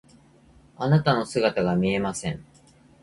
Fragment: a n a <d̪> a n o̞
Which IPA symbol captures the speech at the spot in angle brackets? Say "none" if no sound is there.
t̪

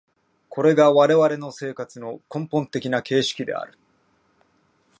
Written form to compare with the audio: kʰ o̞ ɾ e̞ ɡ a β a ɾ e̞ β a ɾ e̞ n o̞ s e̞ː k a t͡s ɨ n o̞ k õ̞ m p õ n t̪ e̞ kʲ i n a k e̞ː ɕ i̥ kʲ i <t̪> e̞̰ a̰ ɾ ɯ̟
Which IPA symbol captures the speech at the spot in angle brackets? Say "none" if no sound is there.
d̪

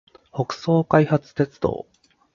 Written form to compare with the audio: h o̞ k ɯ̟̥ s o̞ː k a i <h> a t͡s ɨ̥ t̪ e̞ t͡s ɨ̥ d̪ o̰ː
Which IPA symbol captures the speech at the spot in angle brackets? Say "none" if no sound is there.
h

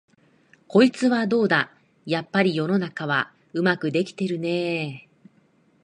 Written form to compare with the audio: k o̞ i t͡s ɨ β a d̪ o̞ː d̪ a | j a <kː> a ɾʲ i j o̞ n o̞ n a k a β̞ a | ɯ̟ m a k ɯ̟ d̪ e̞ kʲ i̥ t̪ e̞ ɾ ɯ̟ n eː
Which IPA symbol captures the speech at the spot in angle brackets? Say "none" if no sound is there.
pː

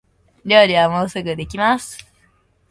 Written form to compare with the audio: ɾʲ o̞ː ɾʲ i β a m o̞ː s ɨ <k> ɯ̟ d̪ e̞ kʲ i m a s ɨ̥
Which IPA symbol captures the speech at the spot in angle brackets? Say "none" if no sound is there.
ɡ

